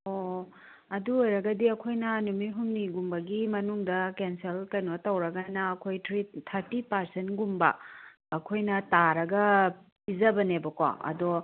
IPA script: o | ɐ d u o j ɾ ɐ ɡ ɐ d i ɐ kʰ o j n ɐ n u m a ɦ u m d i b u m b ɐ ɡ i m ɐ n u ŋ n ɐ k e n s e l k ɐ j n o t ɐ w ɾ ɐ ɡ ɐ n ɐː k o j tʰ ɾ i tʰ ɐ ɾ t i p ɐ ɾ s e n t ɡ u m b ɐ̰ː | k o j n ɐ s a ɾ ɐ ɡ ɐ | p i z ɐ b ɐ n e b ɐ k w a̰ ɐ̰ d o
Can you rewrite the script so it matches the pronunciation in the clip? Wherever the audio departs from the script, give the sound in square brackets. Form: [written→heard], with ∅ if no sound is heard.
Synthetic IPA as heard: o | ɐ d u o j ɾ ɐ ɡ ɐ d i ɐ kʰ o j n ɐ n u m [a→i] ɦ u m [d→n] i [b→ɡ] u m b ɐ ɡ i m ɐ n u ŋ [n→d] ɐ k e n s e l k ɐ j n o t ɐ w ɾ ɐ ɡ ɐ n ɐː [k→kʰ] o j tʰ ɾ i tʰ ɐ ɾ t i p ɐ ɾ s e n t ɡ u m b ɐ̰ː | [k→kʰ] o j n ɐ [s→t] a ɾ ɐ ɡ ɐ | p i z ɐ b ɐ n e b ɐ k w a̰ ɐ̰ d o